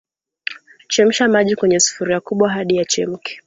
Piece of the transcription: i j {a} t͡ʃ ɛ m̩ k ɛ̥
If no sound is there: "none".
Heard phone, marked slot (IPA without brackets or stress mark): a